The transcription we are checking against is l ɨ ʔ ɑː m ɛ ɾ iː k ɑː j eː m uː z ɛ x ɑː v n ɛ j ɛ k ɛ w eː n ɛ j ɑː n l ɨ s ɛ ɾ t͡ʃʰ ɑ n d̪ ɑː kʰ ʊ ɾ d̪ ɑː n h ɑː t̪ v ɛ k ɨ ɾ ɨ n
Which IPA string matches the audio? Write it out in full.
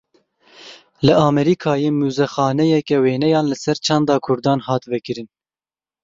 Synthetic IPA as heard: l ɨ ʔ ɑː m ɛ ɾ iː kʰ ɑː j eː m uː z ɛ x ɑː n ɛ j ɛ k ɛ w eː n ɛ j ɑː n l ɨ s ɛ ɾ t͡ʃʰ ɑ n d̪ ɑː kʰ ʊ ɾ d̪ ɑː n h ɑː t̪ v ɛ k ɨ ɾ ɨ n